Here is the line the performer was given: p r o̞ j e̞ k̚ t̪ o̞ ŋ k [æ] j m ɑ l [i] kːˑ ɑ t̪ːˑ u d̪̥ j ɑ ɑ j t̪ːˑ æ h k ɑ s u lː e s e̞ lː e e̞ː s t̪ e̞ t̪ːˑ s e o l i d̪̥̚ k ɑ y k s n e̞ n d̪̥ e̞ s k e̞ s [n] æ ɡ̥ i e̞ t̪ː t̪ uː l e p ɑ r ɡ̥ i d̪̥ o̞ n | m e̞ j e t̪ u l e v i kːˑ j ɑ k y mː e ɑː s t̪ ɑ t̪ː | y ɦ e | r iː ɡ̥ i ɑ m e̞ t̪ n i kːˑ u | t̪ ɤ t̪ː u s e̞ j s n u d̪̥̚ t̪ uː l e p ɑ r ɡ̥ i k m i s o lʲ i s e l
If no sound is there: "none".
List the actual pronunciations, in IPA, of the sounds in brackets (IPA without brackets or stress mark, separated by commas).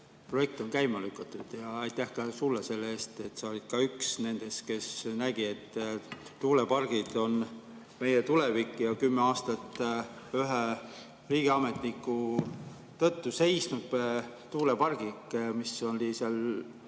æ, y, n